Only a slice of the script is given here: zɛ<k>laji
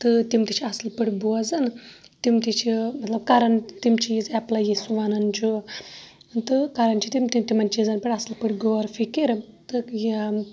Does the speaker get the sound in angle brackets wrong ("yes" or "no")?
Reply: yes